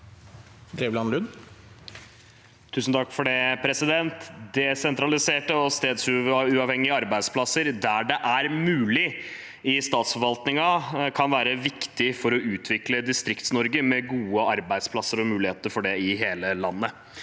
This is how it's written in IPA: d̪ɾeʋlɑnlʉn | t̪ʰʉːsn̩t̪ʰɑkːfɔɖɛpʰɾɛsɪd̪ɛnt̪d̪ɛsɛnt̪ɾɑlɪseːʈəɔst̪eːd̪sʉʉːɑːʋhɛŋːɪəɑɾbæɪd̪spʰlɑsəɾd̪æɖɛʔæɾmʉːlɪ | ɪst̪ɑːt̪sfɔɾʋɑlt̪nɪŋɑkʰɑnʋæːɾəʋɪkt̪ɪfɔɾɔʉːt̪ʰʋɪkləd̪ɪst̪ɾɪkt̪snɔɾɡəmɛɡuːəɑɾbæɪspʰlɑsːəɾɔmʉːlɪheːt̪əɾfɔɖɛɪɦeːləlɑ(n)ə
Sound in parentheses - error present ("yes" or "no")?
yes